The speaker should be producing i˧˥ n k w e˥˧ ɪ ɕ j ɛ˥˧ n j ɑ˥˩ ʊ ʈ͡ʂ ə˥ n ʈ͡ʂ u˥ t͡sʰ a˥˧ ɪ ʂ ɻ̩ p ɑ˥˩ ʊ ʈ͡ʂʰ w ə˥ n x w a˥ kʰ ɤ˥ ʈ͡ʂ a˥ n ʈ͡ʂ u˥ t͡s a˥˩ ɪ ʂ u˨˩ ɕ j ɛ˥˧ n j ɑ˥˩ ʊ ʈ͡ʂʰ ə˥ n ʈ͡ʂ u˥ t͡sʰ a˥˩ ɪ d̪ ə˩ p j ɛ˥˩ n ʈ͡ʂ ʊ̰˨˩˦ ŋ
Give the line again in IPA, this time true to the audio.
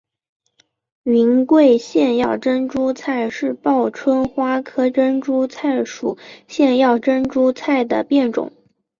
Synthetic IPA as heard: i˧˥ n k w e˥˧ ɪ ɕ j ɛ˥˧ n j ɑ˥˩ ʊ ʈ͡ʂ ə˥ n ʈ͡ʂ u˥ t͡sʰ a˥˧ ɪ ʂ ɻ̩ p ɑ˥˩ ʊ ʈ͡ʂʰ w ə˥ n x w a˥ kʰ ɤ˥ ʈ͡ʂ ə˥ n ʈ͡ʂ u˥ t͡sʰ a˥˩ ɪ ʂ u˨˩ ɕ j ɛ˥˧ n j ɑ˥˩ ʊ ʈ͡ʂ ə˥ n ʈ͡ʂ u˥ t͡sʰ a˥˩ ɪ d̪ ə˩ p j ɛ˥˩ n ʈ͡ʂ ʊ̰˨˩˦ ŋ